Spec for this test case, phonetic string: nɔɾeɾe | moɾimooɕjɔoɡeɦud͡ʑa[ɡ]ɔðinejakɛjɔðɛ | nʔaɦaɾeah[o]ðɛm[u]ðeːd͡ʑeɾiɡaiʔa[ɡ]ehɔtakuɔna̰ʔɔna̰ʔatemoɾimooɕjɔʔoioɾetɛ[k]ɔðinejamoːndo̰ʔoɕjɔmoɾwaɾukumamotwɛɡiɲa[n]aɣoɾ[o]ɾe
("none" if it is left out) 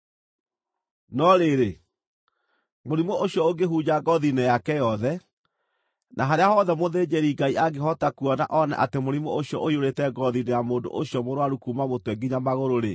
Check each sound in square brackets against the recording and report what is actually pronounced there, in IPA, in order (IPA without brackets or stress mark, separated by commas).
ɡ, ɔ, o, ɡ, ɡ, m, o